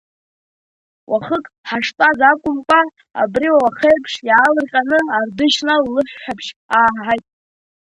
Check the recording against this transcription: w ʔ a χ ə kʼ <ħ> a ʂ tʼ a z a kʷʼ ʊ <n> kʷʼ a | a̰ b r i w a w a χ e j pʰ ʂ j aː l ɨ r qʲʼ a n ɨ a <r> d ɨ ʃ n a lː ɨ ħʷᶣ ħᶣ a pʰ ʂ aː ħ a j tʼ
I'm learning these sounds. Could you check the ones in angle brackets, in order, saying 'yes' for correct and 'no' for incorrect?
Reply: yes, no, yes

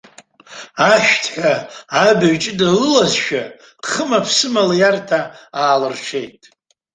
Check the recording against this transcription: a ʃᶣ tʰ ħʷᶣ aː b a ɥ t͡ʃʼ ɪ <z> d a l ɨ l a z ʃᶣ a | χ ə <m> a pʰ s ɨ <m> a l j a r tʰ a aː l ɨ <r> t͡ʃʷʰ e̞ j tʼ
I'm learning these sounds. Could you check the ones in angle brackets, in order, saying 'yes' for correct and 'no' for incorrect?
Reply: no, yes, yes, yes

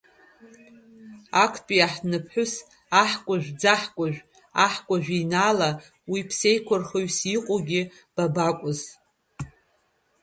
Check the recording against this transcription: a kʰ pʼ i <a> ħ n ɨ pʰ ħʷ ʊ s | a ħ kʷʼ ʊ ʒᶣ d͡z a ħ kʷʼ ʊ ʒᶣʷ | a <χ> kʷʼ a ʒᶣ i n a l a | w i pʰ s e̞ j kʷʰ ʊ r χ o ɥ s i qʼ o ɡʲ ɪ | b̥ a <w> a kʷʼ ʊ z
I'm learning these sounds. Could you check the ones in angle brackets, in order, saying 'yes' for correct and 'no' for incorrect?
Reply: yes, no, no

